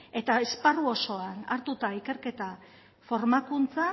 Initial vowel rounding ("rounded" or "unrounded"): unrounded